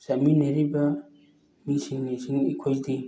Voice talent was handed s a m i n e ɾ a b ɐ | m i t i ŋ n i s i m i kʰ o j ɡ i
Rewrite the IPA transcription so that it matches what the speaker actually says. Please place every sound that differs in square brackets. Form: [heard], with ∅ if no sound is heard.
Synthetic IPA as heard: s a m i n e ɾ [i] b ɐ | m i [s] i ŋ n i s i [ŋ] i kʰ o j [d] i

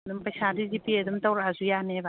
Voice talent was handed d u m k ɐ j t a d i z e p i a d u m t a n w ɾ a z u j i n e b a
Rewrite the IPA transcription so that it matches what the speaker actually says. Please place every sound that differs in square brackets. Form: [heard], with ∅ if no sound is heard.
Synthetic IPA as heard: d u m [p] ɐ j [s] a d i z [i] p i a d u m t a [∅] w ɾ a z u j [a] n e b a

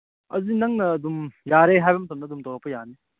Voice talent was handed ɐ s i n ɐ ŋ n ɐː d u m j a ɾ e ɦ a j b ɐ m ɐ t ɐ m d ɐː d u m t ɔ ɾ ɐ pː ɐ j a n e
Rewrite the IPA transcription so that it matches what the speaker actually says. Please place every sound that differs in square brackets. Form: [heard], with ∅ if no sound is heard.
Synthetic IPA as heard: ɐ [z] i n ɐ ŋ n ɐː d u m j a ɾ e ɦ a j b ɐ m ɐ t ɐ m [n] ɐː d u m t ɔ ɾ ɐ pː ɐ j a n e

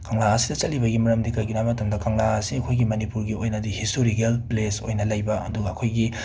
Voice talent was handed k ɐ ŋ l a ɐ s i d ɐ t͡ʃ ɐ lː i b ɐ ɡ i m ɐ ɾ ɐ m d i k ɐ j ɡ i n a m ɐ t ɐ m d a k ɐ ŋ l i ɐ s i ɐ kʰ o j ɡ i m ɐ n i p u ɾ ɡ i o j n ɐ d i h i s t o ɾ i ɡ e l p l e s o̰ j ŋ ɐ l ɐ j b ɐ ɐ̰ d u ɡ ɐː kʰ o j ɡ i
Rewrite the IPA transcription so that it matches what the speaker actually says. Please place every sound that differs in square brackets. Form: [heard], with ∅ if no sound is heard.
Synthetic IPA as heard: k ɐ ŋ l a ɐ s i d ɐ t͡ʃ ɐ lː i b ɐ ɡ i m ɐ ɾ ɐ m d i k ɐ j ɡ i n a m ɐ t ɐ m d [ɐ] k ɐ ŋ l [a] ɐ s i ɐ kʰ o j ɡ i m ɐ n i p u ɾ ɡ i o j n ɐ d i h i s t o ɾ i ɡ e l p l e s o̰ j [n] ɐ l ɐ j b ɐ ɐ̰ d u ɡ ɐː kʰ o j ɡ i

